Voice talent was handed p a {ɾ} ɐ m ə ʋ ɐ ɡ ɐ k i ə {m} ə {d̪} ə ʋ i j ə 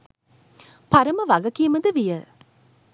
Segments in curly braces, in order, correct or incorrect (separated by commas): correct, correct, correct